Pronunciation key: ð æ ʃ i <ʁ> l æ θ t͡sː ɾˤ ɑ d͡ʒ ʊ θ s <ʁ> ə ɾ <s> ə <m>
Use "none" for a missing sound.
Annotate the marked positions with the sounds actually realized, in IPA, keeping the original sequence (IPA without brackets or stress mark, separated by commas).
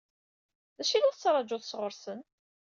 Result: none, ʁ, s, n